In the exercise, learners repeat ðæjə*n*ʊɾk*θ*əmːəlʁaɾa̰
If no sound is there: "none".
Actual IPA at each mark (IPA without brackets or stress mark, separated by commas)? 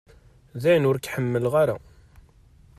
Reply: n, ħ